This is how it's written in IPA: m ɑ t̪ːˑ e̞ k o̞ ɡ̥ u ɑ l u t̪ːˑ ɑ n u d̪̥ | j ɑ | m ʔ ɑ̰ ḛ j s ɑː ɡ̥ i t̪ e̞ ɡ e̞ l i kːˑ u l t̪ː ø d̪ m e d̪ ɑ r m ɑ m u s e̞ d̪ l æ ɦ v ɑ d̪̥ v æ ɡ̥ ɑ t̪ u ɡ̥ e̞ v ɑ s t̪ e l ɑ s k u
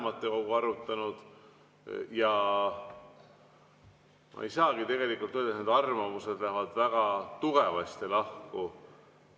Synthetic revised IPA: m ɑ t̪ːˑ e̞ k o̞ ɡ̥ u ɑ ɾ u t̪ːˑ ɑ n u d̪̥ | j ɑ | m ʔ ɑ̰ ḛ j s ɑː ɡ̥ i t̪ e̞ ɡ e̞ l i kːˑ u l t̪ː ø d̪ n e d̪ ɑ r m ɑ m u s e̞ d̪ l æ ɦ v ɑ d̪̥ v æ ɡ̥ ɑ t̪ u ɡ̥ e̞ v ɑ s t̪ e l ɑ h k u